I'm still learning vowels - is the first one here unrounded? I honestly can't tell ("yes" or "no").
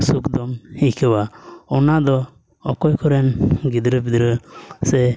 no